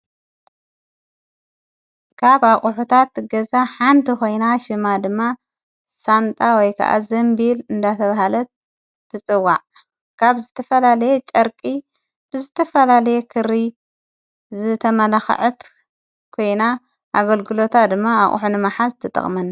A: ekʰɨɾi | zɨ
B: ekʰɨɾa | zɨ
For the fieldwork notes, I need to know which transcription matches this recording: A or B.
A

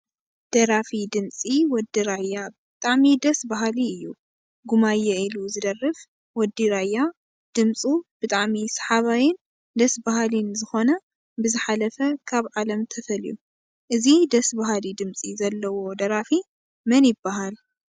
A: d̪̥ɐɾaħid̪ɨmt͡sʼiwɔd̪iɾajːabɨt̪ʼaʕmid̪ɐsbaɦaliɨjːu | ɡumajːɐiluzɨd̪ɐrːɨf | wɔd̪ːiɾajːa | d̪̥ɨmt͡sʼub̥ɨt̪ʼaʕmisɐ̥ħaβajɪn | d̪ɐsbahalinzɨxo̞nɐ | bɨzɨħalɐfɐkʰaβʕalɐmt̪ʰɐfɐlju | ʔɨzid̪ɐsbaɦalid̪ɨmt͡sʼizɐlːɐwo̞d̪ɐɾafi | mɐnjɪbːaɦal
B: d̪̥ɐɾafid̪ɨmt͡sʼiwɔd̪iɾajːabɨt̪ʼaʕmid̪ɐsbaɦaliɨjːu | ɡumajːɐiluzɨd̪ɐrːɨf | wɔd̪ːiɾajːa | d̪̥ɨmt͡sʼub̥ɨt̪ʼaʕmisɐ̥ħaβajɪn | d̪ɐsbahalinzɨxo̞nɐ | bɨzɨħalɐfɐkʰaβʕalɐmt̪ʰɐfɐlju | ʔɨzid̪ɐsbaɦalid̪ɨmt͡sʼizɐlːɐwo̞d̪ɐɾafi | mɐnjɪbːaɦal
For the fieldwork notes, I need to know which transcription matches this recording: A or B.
B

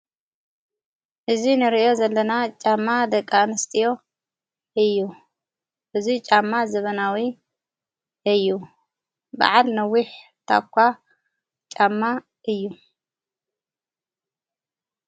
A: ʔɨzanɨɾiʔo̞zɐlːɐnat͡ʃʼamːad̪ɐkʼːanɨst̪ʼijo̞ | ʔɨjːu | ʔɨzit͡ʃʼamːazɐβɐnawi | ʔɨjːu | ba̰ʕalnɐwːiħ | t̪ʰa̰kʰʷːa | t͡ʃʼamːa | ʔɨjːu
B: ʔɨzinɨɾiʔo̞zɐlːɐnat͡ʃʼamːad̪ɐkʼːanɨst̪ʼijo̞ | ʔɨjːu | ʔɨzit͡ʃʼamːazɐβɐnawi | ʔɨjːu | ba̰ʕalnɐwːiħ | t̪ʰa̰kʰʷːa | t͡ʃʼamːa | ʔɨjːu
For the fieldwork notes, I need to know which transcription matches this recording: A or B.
B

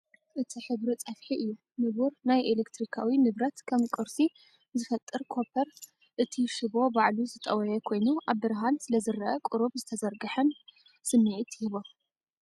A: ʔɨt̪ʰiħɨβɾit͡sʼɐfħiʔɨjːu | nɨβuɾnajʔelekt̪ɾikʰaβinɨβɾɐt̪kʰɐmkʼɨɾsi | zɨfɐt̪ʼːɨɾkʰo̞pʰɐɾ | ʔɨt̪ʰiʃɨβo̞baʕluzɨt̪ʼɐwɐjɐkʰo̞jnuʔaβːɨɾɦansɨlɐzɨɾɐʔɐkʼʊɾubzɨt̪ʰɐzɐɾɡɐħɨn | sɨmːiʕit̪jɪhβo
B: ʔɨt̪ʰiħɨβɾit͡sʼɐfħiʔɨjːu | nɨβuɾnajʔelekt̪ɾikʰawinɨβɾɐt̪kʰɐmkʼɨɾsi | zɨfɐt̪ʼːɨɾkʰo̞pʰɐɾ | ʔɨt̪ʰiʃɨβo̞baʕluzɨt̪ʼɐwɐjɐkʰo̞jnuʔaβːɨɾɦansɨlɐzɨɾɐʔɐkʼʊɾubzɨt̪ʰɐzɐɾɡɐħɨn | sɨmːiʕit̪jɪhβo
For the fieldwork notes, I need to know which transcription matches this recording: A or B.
B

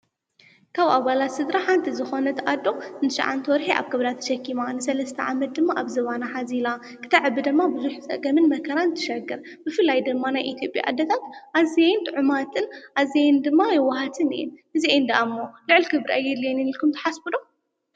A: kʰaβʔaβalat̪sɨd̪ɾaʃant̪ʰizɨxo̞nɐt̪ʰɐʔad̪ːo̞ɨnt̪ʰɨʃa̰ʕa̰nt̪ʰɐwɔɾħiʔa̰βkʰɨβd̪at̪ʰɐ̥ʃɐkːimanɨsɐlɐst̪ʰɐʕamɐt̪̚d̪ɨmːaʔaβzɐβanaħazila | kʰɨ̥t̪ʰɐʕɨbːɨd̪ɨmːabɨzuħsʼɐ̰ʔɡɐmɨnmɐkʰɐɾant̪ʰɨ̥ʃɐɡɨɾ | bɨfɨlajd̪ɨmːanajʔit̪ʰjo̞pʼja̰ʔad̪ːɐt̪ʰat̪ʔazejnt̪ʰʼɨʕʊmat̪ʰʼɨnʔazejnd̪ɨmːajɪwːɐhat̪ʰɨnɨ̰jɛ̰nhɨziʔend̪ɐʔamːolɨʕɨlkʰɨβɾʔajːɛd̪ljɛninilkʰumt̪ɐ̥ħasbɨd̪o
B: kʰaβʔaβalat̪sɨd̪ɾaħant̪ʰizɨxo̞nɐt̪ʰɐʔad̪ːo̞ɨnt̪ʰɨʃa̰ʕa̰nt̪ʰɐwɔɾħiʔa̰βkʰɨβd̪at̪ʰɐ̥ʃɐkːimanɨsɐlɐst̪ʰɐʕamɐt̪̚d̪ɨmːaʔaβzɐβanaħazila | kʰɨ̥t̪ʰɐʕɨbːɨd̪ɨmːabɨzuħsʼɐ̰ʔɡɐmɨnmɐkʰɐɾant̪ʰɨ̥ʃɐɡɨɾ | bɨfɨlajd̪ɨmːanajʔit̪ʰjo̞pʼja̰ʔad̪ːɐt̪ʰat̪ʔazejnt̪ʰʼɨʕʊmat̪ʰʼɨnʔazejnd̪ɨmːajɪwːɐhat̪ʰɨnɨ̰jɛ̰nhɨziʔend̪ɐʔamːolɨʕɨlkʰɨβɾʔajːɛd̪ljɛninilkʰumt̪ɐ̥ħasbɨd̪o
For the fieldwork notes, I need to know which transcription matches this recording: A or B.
B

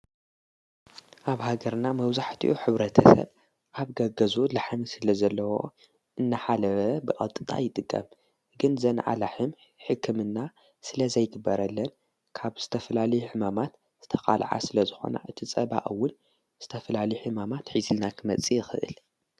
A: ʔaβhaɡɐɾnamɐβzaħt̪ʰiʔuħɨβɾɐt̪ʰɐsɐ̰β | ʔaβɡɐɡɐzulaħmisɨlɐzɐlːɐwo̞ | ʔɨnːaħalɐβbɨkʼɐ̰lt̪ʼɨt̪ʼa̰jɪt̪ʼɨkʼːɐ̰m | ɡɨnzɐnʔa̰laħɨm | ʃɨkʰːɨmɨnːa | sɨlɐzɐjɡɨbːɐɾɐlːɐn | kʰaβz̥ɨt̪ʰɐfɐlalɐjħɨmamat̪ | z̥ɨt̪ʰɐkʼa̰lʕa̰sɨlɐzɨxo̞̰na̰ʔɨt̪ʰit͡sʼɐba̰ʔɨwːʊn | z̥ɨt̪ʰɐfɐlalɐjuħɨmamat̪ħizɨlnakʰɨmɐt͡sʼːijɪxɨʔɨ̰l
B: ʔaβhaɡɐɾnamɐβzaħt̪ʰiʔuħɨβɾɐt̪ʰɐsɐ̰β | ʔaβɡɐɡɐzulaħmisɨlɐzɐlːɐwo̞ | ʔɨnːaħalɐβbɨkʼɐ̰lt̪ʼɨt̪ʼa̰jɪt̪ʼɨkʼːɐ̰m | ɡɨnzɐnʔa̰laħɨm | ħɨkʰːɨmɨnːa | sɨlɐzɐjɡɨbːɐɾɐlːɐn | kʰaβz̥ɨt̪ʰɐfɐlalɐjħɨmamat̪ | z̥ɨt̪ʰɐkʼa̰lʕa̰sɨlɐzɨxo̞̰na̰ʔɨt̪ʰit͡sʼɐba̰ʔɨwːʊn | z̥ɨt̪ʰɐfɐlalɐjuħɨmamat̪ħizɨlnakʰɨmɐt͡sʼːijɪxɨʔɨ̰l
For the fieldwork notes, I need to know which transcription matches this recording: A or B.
B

